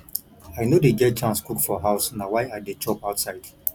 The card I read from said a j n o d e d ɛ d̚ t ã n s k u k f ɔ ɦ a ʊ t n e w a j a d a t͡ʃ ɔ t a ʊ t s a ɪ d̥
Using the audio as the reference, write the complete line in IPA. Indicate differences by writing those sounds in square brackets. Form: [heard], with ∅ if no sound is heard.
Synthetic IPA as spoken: a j n o d e [ɡ] ɛ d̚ [t͡ʃ] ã n s k u k f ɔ ɦ a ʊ [s] n [a] w a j a d [e] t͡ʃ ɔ [p] a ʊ t s a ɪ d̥